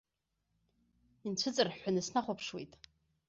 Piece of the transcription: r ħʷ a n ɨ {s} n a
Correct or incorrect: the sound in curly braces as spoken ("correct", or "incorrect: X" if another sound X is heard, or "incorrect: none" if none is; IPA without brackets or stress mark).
correct